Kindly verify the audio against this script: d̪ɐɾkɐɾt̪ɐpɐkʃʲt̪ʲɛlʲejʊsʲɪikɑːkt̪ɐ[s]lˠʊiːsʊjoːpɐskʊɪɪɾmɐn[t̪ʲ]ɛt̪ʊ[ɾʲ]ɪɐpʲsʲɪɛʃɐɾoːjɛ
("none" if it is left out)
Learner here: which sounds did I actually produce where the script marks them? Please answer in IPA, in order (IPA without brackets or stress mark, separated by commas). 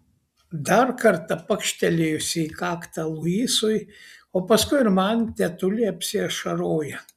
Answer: none, t̪ʲ, lʲ